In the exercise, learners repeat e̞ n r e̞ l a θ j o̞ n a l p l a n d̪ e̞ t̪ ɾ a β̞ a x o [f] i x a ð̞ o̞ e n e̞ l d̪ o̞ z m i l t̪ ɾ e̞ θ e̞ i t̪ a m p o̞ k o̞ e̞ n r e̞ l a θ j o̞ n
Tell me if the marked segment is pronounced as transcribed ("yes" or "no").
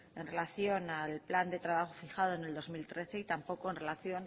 yes